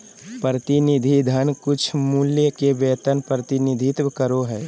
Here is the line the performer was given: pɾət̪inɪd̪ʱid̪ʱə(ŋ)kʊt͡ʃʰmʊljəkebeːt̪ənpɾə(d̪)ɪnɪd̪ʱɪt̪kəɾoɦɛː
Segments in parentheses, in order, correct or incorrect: incorrect, incorrect

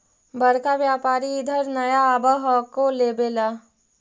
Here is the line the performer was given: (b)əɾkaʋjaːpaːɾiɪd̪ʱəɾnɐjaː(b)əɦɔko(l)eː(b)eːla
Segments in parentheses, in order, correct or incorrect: correct, correct, correct, correct

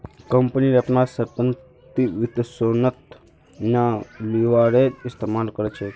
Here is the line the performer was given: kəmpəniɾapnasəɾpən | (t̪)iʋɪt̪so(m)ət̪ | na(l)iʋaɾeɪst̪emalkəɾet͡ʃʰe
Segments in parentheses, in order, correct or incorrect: correct, incorrect, correct

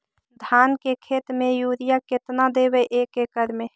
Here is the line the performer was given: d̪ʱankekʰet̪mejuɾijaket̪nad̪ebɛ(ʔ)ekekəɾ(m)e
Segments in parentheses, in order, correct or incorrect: correct, correct

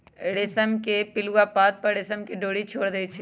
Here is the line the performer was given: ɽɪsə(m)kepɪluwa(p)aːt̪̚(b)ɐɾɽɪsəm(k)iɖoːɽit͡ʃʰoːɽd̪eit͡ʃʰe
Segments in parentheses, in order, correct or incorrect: correct, correct, incorrect, correct

